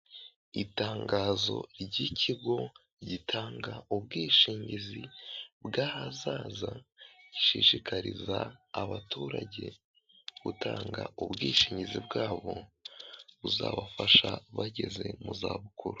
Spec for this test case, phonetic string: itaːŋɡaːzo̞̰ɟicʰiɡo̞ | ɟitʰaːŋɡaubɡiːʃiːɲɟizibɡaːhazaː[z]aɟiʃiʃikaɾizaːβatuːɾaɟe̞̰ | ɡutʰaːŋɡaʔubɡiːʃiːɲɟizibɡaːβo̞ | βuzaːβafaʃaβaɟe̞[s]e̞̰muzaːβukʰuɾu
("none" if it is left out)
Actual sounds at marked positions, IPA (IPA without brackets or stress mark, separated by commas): z, z